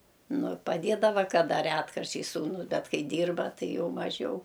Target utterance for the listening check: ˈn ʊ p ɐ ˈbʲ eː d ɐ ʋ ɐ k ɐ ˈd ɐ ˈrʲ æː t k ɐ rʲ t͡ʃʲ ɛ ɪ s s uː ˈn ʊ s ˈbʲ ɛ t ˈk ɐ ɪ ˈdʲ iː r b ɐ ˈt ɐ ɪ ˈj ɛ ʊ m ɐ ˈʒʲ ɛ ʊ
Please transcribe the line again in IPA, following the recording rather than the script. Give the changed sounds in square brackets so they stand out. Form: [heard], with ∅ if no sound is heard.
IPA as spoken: ˈn ʊ p ɐ [ˈdʲ] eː d ɐ ʋ ɐ k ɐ ˈd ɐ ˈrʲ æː t k ɐ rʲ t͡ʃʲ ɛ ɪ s s uː ˈn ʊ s ˈbʲ ɛ t ˈk ɐ ɪ ˈdʲ iː r b ɐ ˈt ɐ ɪ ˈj ɛ ʊ m ɐ ˈʒʲ ɛ ʊ